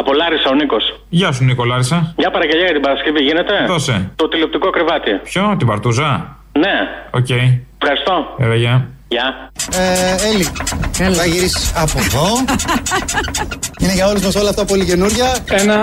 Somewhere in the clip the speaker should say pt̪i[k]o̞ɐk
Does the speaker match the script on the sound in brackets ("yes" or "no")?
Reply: yes